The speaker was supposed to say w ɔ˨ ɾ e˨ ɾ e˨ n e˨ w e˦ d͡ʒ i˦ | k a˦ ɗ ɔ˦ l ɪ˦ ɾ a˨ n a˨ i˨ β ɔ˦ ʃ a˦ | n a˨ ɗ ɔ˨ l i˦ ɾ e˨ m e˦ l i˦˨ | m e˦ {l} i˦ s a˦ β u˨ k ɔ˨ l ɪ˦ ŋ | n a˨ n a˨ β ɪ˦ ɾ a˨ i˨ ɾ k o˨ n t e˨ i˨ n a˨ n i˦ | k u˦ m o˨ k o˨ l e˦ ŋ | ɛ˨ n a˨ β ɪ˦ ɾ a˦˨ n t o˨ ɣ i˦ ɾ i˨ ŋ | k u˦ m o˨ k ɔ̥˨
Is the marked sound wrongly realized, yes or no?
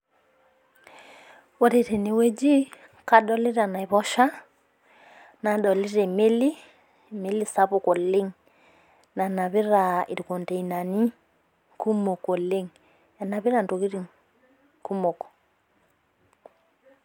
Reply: no